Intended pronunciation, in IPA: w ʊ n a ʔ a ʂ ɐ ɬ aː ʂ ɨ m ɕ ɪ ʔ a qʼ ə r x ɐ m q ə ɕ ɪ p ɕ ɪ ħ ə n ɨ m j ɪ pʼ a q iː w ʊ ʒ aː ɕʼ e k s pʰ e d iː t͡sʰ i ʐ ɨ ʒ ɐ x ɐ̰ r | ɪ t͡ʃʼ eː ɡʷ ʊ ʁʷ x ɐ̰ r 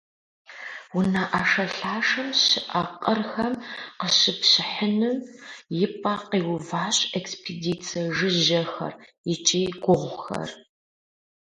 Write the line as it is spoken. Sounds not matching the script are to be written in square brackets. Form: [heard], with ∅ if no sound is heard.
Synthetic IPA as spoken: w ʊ n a ʔ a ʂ ɐ ɬ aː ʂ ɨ m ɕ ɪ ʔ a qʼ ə r x ɐ m q ə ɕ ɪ p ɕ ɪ ħ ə n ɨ m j ɪ pʼ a q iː w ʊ [v] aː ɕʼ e k s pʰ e d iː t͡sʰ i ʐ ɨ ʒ ɐ x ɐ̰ r | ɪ t͡ʃʼ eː ɡʷ ʊ ʁʷ x ɐ̰ r